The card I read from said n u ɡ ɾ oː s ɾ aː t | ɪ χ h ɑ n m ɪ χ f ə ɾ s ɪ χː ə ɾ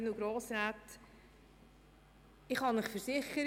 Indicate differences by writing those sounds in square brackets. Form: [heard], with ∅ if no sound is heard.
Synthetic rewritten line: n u ɡ ɾ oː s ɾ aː t | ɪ χ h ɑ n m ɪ χ f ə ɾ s ɪ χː ə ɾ